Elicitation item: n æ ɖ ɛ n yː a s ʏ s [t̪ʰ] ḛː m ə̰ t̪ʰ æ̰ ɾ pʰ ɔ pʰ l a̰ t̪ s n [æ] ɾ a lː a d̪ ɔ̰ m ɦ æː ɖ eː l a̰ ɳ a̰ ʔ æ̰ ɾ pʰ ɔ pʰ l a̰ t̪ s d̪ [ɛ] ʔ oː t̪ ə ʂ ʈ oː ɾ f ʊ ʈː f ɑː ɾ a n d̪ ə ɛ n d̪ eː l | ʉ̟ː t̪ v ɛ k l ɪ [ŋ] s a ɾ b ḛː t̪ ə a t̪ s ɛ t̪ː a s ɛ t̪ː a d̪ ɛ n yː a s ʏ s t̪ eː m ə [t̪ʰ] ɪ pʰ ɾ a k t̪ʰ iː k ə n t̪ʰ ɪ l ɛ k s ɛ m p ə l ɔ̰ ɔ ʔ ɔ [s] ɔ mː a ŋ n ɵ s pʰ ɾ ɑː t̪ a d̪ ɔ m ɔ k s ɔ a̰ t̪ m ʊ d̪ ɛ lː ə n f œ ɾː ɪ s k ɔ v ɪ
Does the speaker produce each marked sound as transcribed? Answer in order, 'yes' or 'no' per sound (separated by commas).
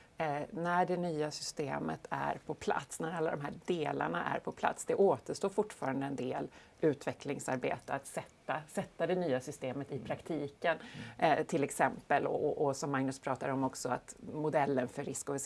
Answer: no, yes, yes, yes, no, yes